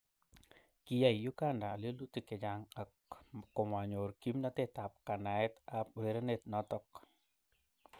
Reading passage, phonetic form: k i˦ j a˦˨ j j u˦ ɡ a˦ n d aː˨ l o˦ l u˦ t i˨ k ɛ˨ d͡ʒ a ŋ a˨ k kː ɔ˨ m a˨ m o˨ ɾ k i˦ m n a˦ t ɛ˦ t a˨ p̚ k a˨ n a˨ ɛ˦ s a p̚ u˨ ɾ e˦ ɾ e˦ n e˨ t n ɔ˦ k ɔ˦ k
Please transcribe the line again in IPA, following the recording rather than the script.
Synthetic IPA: k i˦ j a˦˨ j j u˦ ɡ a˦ n d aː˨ l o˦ l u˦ t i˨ k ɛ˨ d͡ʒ a ŋ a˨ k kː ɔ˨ m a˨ ɲ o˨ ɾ k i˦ m n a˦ t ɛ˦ t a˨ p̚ k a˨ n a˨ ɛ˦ t a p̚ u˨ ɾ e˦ ɾ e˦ n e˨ t n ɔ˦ t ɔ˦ k